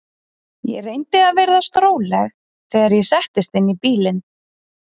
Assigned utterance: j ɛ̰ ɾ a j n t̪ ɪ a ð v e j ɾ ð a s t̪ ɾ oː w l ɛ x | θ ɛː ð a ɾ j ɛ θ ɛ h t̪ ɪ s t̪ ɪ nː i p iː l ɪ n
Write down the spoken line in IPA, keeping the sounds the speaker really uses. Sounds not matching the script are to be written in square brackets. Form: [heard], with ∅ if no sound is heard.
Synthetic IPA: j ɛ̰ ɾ [e] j n t̪ ɪ a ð v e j ɾ ð a s t̪ ɾ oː w l ɛ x | θ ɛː [ɣ] a ɾ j ɛ [s] ɛ h t̪ ɪ s t̪ ɪ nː i p iː l ɪ n

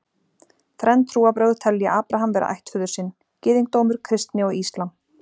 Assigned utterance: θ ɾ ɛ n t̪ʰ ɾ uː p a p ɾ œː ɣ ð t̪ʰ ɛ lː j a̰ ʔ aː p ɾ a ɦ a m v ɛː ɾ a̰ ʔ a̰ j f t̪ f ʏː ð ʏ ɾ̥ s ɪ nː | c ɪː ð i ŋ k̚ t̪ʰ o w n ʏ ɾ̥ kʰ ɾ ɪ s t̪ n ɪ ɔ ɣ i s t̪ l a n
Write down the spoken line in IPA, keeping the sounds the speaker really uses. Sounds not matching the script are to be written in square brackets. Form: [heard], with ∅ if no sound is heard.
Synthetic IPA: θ ɾ ɛ n t̪ʰ ɾ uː [∅] a p ɾ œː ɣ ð t̪ʰ ɛ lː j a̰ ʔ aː p ɾ a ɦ a m v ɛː ɾ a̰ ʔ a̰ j [h] t̪ f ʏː ð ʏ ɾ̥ s ɪ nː | c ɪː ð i ŋ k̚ [t̪] o w [m] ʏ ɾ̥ kʰ ɾ ɪ s t̪ n ɪ ɔ ɣ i s t̪ l a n

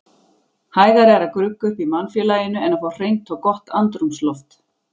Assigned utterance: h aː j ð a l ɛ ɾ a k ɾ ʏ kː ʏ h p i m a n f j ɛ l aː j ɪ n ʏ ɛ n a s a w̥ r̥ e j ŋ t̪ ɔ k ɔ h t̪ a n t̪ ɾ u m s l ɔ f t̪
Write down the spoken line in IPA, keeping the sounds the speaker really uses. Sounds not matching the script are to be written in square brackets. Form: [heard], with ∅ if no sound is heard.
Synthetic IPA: h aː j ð a [ɾ] ɛ ɾ a k ɾ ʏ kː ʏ h p i m a n f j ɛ l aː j ɪ n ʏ ɛ n a [f] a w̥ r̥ e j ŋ t̪ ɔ k ɔ h t̪ a n t̪ ɾ u m s l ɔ f t̪

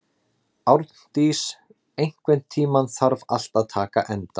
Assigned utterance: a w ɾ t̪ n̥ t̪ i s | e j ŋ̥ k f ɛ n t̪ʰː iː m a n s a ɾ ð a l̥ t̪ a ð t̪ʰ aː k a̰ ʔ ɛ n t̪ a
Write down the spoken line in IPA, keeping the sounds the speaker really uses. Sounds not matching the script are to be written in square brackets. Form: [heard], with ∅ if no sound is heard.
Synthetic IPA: a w ɾ t̪ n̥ t̪ i s | e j ŋ̥ k [v] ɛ n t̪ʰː iː m a n [θ] a ɾ [v] a l̥ t̪ a ð t̪ʰ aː k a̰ ʔ ɛ n t̪ a

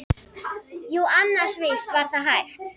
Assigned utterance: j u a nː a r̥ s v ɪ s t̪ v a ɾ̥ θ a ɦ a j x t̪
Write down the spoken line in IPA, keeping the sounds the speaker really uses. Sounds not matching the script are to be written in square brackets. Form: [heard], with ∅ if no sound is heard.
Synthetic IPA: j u a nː a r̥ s v ɪ s t̪ v a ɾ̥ θ a ɦ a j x t̪

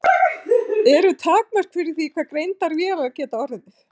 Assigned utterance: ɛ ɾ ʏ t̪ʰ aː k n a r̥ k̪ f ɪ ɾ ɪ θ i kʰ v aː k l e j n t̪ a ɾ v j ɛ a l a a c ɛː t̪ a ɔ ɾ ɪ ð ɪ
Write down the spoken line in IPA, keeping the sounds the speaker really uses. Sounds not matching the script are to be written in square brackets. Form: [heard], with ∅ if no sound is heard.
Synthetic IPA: ɛ ɾ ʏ t̪ʰ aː k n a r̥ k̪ f ɪ ɾ ɪ θ i kʰ v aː k [ɾ] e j n t̪ a ɾ v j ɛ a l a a c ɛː t̪ a ɔ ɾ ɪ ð ɪ

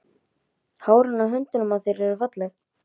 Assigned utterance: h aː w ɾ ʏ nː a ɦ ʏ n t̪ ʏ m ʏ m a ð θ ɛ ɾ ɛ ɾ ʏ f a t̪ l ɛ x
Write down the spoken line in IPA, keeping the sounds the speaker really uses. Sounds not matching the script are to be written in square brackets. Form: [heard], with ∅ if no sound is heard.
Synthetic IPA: h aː w ɾ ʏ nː a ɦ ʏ n t̪ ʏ [n] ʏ m a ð θ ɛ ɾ ɛ ɾ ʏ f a t̪ l ɛ x

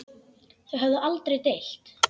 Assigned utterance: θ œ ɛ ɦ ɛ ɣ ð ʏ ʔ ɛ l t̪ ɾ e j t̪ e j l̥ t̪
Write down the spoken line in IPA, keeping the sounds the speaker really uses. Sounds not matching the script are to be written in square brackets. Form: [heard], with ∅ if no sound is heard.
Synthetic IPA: θ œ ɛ ɦ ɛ [v] ð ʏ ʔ [a] l t̪ ɾ e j t̪ e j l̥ t̪

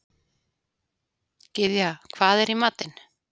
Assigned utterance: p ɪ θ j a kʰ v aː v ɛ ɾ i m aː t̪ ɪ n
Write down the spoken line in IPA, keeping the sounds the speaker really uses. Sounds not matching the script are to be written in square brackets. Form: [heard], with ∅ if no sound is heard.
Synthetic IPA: [c] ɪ [ð] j a kʰ v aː [ð] ɛ ɾ i m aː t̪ ɪ n

